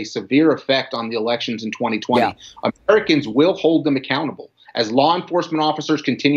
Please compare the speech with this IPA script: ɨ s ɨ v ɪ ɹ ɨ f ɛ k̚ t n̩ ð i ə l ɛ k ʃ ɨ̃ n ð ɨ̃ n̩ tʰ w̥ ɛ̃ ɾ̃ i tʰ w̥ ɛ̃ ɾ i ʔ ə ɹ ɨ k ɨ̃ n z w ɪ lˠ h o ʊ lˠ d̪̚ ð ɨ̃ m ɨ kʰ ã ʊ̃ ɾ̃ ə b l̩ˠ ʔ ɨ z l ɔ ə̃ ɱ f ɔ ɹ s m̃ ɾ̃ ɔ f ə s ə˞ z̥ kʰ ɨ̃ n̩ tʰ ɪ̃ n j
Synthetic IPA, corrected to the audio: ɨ s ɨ v ɪ ɹ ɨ f ɛ k̚ t n̩ ð i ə l ɛ k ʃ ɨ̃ n z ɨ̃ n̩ tʰ w̥ ɛ̃ ɾ̃ i tʰ w̥ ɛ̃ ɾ i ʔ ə ɹ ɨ k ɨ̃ n z w ɪ lˠ h o ʊ lˠ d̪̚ ð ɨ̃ m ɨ kʰ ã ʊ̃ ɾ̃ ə b l̩ˠ ʔ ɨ z l ɔ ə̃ ɱ f ɔ ɹ s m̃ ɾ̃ ɔ f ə s ə˞ z̥ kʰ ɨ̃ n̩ tʰ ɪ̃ n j